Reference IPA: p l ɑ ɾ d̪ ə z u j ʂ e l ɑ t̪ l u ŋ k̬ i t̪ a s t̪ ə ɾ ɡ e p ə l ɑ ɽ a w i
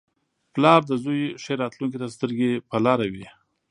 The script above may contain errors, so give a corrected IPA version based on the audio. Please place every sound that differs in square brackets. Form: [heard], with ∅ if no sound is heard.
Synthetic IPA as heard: p l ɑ ɾ d̪ ə z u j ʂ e [ɾ] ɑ t̪ l u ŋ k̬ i t̪ a s t̪ ə ɾ ɡ e p ə l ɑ [ɾ] a w i